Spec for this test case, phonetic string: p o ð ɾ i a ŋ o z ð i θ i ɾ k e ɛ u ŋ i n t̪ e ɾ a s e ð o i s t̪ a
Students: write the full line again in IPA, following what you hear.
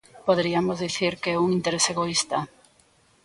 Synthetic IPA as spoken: p o ð ɾ i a m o z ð i θ i ɾ k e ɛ u ŋ i n t̪ e ɾ e s e ɣ o i s t̪ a